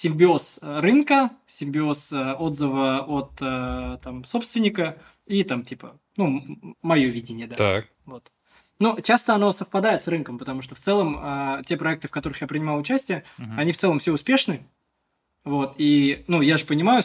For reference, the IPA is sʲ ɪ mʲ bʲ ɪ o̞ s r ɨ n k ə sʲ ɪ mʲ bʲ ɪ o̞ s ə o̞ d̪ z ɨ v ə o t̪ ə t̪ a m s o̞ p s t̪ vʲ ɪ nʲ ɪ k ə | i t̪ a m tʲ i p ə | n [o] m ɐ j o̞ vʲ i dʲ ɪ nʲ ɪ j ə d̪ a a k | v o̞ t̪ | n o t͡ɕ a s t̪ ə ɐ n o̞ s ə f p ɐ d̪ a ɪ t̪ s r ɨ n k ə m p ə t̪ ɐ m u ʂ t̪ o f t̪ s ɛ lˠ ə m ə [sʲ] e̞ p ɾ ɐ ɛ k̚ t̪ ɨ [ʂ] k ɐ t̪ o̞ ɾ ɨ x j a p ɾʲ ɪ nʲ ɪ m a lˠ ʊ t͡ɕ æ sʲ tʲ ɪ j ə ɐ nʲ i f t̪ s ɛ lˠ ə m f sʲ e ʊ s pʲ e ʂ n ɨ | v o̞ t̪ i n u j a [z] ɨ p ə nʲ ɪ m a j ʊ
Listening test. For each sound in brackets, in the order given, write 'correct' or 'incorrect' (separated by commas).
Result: incorrect, incorrect, incorrect, incorrect